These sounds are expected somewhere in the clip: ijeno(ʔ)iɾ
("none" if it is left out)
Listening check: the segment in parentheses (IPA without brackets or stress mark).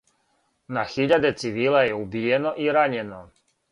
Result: ʔ